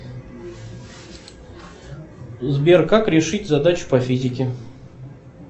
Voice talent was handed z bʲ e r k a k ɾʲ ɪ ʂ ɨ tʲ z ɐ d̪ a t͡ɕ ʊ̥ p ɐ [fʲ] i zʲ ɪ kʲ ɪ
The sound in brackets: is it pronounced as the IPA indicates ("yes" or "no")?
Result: yes